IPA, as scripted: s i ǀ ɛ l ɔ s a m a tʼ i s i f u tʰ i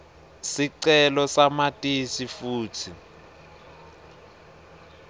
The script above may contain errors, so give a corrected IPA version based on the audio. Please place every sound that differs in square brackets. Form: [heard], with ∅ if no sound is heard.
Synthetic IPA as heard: s i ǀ ɛ l ɔ s a m a tʼ i s i f [uː] tʰ i